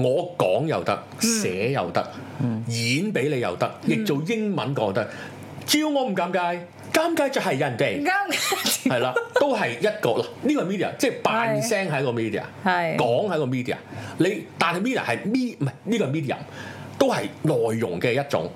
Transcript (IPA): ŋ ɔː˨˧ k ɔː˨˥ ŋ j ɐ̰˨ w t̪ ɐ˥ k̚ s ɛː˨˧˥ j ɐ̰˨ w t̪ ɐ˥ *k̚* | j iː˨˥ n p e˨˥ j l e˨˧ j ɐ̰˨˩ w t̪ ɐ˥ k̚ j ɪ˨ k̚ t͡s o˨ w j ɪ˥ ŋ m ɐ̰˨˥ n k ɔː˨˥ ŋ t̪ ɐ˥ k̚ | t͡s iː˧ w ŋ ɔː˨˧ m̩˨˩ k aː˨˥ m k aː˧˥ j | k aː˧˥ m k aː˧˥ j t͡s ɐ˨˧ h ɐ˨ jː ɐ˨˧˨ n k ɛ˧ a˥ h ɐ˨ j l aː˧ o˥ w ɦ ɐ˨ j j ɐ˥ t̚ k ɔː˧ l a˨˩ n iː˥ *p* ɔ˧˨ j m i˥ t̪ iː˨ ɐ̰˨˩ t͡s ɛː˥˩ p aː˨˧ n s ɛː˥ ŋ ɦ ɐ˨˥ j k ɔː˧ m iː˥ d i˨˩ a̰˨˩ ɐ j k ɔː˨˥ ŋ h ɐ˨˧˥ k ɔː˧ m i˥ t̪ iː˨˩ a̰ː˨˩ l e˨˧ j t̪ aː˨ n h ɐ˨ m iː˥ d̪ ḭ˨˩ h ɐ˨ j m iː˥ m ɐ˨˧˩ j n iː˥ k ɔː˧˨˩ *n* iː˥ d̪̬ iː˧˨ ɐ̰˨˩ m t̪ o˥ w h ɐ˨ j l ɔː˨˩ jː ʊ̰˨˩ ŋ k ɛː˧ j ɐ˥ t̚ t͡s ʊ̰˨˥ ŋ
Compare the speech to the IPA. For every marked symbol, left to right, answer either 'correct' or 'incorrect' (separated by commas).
correct, incorrect, incorrect